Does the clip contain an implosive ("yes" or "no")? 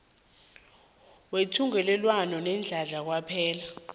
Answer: no